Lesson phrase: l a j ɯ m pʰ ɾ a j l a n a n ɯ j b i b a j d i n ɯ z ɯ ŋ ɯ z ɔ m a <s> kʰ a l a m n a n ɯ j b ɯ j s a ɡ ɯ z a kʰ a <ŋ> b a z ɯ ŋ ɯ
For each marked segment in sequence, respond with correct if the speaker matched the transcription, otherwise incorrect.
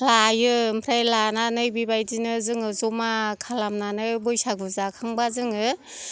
incorrect: none, correct

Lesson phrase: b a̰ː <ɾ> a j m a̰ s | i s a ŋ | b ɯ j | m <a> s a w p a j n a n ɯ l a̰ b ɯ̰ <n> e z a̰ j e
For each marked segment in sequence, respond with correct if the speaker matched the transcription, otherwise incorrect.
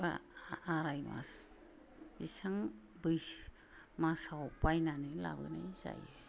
correct, correct, correct

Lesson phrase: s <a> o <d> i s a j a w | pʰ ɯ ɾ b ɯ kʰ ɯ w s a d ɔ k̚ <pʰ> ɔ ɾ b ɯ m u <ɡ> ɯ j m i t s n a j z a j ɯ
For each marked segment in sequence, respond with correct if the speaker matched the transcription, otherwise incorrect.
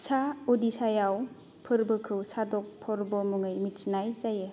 correct, correct, correct, incorrect: ŋ

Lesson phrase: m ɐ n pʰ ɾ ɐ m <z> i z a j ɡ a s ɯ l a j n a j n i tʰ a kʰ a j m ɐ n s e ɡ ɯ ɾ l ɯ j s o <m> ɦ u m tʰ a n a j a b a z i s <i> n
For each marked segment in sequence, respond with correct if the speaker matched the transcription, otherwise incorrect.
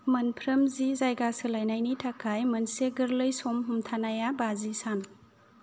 correct, correct, incorrect: a

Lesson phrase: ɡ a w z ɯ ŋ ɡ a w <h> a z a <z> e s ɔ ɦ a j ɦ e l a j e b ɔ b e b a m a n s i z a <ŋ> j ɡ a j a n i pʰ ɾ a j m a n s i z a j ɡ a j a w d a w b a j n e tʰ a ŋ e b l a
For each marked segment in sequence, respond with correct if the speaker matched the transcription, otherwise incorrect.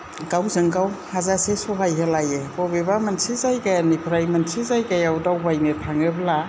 correct, incorrect: s, incorrect: none

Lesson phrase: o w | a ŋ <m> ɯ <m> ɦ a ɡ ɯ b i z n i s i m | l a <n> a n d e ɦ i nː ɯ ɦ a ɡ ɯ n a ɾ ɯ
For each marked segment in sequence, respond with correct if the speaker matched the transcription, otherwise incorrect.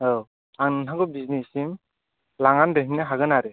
incorrect: n, incorrect: n, incorrect: ŋ

